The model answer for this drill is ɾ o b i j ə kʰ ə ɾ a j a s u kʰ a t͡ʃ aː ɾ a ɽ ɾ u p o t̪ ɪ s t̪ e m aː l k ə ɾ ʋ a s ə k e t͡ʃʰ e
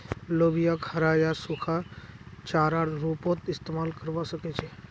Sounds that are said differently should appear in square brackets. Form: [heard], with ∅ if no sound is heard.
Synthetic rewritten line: [l] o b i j [a] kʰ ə ɾ a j a s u kʰ a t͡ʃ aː ɾ a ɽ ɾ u p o t̪ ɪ s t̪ e m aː l k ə ɾ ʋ a s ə k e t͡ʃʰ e